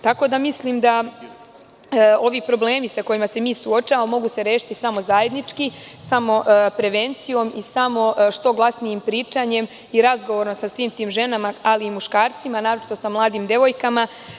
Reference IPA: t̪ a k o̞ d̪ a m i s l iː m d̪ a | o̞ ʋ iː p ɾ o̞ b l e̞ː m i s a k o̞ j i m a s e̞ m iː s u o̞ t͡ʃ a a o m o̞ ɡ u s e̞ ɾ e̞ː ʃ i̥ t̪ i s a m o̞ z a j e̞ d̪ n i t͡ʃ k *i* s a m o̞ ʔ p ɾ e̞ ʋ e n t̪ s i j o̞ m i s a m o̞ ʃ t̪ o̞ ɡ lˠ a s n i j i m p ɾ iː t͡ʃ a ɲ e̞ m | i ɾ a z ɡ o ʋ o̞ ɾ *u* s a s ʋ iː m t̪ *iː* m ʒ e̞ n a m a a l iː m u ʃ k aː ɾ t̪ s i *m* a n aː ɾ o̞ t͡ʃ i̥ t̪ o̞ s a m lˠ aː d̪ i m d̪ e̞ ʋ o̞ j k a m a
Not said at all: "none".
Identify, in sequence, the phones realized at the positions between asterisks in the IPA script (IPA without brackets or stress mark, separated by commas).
i, o, iː, m